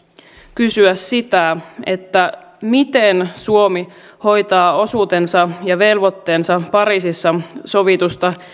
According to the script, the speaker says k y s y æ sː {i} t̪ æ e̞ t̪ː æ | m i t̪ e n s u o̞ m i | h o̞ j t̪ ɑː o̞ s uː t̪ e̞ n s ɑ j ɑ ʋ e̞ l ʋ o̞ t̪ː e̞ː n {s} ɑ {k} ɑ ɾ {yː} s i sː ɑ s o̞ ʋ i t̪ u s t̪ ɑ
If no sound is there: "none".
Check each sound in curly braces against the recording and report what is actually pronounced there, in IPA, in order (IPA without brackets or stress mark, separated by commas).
i, s, p, iː